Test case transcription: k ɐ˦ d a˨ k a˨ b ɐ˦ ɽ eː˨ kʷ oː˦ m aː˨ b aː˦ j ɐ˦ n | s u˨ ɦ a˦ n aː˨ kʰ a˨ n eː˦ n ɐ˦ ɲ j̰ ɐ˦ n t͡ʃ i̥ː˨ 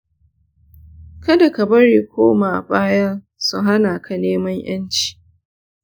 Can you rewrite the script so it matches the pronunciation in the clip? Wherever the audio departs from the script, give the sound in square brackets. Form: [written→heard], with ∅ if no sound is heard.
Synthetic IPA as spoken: k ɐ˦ d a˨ k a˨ b ɐ˦ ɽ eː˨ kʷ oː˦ m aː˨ b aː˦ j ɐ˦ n | s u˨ ɦ a˦ n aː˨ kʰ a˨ n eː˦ [n→m] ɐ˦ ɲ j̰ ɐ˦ n t͡ʃ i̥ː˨